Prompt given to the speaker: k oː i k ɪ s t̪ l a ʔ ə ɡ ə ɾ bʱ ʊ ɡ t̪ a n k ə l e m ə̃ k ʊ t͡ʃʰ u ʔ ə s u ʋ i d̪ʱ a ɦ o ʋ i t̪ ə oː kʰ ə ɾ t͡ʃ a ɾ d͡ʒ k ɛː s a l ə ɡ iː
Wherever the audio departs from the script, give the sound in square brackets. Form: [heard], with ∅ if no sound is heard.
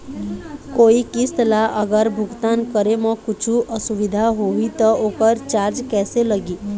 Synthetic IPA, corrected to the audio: k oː i k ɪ s t̪ l a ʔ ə ɡ ə ɾ bʱ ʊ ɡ t̪ a n k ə [ɾ] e m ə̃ k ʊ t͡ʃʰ u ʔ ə s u ʋ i d̪ʱ a ɦ o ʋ i t̪ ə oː [k] ə ɾ t͡ʃ a ɾ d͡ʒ k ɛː s [e] l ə ɡ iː